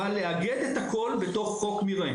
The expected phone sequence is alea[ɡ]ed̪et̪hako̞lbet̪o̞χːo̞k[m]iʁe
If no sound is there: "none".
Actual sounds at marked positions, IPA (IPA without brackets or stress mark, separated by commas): ɡ, m